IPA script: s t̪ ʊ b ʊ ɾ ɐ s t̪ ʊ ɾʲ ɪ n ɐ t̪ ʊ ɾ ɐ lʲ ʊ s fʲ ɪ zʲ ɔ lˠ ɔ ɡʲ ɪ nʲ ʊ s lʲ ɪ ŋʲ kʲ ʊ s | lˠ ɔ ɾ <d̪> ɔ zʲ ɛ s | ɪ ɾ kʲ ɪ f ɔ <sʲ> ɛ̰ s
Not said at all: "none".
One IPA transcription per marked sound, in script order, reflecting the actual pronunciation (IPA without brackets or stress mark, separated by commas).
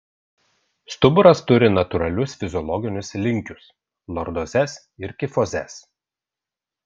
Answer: d̪, zʲ